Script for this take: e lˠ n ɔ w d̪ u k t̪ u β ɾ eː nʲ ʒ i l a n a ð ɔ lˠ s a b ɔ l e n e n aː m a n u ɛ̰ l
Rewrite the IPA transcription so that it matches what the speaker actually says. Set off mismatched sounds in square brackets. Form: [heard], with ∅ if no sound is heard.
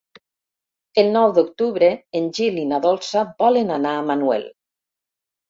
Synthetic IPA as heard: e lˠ n ɔ w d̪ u k t̪ u β ɾ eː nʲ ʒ i l [i] n a ð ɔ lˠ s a b ɔ l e n [a] n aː m a n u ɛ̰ l